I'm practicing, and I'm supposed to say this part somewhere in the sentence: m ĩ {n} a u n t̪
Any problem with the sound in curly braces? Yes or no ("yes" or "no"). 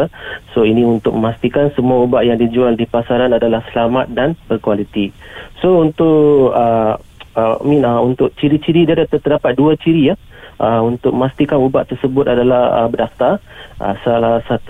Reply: no